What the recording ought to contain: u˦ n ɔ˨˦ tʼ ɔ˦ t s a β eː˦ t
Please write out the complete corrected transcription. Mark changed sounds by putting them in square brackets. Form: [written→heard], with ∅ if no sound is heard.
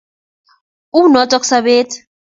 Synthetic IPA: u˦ n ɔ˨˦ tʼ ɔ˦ [t→k] s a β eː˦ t

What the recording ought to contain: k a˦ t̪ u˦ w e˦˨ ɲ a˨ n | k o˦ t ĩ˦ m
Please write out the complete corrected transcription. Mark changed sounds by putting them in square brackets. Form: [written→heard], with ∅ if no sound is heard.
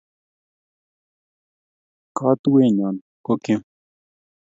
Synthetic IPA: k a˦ t̪ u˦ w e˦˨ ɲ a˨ n | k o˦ [t→k] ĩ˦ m

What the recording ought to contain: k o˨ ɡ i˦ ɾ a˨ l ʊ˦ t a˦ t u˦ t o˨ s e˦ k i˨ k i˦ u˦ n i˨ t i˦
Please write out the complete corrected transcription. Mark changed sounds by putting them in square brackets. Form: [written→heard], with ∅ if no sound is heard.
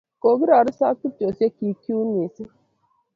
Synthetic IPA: k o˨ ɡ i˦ ɾ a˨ [l→ɾ] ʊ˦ [t→s] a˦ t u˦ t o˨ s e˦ k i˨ k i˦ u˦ n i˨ [t→s] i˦

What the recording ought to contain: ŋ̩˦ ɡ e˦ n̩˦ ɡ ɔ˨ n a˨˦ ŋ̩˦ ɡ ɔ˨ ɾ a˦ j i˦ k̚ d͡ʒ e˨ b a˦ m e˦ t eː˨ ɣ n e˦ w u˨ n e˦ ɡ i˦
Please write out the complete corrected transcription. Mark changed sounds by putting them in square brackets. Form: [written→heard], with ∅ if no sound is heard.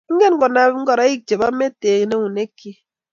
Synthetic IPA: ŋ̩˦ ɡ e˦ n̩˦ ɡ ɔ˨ n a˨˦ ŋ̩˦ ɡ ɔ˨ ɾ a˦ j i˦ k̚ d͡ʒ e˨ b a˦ m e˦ t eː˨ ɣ n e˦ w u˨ n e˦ [ɡ→k] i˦

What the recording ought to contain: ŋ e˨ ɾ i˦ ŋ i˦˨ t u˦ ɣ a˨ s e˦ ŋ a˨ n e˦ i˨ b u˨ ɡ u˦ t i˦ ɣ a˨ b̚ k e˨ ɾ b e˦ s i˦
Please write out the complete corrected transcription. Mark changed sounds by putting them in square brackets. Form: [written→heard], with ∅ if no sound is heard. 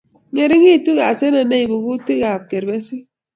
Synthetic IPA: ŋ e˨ ɾ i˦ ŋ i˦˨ t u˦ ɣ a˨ s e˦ [ŋ→n] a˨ n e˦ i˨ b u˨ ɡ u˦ t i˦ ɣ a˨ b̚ k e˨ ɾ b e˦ s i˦

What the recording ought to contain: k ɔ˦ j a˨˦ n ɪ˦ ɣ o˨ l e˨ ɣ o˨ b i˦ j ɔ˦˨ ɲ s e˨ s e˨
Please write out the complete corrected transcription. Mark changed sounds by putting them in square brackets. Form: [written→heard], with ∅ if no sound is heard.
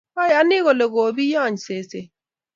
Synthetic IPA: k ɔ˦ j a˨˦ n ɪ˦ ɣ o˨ l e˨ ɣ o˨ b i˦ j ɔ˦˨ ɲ s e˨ s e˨

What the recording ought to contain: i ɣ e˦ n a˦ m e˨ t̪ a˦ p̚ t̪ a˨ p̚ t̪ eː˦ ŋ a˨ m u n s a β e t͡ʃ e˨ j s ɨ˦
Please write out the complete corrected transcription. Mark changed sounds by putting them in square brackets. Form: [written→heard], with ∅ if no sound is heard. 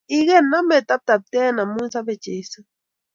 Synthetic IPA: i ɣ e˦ n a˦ m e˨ t̪ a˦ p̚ t̪ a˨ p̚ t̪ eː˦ [ŋ→n] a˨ m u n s a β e t͡ʃ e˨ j s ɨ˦

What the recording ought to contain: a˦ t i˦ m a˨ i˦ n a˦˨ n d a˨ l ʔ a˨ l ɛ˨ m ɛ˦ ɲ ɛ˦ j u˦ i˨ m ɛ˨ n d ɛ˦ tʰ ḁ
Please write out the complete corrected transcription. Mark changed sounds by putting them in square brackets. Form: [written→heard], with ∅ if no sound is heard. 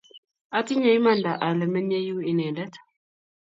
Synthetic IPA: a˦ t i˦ [m→ɲ] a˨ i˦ [n→m] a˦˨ n d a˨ [l→∅] ʔ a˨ l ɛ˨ m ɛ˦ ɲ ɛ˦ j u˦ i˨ [m→n] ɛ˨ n d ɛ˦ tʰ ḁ

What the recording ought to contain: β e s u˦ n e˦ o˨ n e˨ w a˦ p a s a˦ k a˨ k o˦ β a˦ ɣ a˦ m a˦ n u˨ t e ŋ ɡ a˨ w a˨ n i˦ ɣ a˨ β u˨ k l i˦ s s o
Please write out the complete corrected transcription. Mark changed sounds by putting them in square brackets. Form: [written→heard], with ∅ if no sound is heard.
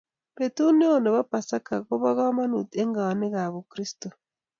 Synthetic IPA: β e [s→t] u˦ n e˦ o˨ n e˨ [w→β] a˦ p a s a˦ k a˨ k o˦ β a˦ ɣ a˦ m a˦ n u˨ t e ŋ ɡ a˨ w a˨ n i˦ ɣ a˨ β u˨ k [l→ɾ] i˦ s [s→t] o

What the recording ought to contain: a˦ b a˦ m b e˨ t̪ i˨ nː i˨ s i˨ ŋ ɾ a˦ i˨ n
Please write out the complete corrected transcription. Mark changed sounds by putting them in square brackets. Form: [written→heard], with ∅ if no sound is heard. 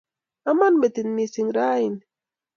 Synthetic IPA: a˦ [b→m] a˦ [m→n] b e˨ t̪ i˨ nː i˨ s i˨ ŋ ɾ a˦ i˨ n

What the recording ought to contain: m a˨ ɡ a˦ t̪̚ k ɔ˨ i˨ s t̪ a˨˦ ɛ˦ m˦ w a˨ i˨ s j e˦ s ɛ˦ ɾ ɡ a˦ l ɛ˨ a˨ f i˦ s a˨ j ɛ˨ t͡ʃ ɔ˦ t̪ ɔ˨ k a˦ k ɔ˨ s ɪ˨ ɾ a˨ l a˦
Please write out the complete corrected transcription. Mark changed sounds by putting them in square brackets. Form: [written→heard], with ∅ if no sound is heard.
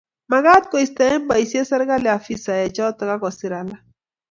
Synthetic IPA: m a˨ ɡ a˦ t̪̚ k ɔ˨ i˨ s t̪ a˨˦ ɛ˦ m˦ [w→b] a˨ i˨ s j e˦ s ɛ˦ ɾ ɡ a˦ l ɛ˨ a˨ f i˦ s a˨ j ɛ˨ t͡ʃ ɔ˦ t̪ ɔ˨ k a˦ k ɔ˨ s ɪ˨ ɾ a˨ l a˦

